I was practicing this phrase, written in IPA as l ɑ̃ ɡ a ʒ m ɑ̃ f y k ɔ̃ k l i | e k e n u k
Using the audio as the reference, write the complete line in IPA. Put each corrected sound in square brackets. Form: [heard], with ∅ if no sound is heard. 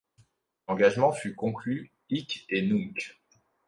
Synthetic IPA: l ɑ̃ ɡ a ʒ m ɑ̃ f y k ɔ̃ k l [y] | [i] k e n u k